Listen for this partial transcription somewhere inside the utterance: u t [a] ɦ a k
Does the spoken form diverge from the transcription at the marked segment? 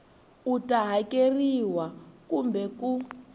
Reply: no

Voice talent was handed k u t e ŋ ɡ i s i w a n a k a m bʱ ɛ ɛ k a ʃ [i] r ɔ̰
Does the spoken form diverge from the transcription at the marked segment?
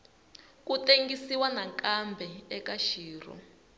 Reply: yes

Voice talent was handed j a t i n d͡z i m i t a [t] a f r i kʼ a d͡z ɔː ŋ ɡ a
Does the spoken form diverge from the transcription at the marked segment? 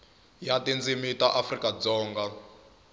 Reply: yes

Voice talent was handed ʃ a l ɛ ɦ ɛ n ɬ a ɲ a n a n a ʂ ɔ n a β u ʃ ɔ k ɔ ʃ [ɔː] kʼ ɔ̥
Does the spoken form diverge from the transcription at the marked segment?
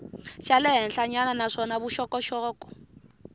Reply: no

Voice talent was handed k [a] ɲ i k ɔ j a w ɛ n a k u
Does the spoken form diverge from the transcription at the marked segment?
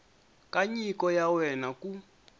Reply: no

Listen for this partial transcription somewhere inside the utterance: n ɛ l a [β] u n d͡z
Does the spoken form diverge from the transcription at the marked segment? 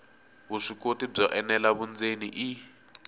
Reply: no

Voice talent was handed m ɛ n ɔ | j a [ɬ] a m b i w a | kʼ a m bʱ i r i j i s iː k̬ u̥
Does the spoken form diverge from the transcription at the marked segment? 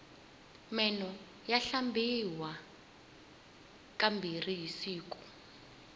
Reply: no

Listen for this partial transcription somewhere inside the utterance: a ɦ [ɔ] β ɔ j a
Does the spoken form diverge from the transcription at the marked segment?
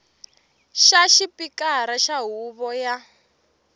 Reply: yes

